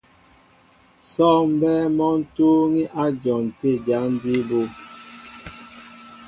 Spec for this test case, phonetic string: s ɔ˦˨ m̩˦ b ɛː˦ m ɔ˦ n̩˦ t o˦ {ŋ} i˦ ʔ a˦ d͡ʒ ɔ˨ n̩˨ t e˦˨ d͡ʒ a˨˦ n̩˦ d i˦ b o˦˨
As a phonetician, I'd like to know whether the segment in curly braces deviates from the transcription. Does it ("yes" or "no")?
no